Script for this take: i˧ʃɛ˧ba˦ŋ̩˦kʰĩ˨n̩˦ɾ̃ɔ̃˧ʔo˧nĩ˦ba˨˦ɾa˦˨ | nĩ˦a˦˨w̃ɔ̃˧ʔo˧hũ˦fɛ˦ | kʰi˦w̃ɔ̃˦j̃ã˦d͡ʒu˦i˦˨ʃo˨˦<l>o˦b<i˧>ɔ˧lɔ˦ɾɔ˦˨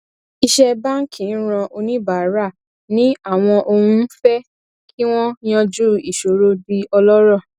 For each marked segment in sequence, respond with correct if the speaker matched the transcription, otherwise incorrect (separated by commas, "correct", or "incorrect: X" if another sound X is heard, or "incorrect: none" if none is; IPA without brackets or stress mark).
incorrect: ɾ, correct